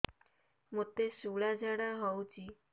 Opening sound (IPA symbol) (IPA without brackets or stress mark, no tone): m